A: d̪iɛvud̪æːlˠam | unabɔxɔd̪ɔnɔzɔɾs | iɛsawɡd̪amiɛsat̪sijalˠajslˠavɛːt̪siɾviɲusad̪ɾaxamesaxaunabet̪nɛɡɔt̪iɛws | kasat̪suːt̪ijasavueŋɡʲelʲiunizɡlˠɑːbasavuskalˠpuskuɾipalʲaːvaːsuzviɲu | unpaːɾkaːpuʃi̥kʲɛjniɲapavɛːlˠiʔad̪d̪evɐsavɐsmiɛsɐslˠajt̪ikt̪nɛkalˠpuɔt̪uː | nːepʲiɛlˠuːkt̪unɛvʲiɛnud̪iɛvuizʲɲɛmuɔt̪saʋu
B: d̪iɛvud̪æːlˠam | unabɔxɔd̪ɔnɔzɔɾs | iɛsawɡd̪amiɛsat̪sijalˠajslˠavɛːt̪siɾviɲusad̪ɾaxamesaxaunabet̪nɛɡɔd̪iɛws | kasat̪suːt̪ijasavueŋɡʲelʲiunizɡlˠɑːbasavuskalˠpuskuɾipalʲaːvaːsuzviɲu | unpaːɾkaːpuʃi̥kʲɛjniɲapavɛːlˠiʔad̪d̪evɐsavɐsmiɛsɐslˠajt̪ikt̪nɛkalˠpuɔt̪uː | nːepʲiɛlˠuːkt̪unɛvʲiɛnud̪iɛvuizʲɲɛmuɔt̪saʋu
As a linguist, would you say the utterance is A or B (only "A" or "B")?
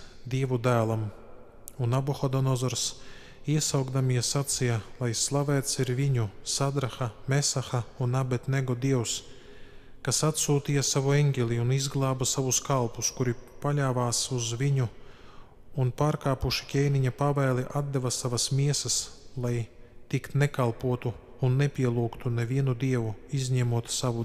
B